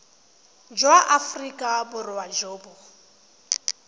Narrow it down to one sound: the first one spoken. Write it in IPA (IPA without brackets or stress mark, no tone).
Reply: d͡ʒ